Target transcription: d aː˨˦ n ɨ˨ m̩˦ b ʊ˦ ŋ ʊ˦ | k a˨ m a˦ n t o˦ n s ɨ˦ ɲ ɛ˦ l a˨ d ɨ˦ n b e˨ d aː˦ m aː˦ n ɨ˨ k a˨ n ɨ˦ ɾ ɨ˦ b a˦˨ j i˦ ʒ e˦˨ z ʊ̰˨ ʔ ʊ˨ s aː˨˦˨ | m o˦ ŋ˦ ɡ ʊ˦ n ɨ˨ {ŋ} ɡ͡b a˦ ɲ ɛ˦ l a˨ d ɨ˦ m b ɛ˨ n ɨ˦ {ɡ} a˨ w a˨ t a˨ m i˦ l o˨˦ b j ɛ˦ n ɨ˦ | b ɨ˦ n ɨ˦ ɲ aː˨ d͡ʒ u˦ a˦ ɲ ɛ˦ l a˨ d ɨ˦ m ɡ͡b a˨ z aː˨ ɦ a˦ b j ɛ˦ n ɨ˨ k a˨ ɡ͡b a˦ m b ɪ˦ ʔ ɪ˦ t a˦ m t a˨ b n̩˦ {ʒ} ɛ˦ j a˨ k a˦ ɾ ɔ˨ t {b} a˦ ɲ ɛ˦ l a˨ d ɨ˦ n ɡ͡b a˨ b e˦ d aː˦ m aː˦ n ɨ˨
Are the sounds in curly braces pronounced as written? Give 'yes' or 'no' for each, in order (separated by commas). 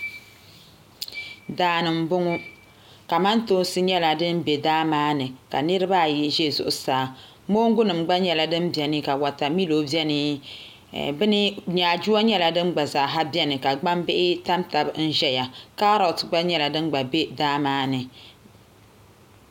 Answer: no, no, yes, no